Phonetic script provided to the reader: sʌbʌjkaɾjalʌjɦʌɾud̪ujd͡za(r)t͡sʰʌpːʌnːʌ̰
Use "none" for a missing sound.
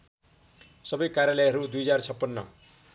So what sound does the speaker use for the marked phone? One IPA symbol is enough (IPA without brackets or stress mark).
r